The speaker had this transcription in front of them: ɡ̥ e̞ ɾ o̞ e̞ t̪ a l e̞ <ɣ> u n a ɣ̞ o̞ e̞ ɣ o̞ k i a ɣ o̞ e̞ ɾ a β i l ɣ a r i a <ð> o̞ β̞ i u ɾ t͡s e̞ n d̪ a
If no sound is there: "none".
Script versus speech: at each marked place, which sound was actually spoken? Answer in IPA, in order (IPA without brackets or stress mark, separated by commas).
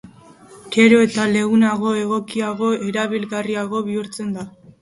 ɣ, ɣ